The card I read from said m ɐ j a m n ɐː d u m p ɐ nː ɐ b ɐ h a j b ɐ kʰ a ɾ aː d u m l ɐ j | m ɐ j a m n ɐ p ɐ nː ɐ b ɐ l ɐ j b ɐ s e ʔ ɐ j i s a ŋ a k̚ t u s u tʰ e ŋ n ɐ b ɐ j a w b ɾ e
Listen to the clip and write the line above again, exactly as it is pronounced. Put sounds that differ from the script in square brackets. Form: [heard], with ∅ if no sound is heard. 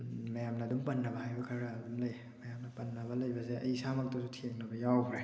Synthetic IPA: m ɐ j a m n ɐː d u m p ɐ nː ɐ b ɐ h a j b ɐ kʰ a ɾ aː d u m l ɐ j | m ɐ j a m n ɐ p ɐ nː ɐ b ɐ l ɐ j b ɐ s e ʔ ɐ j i s a [m] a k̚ t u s u tʰ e ŋ n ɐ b ɐ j a w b ɾ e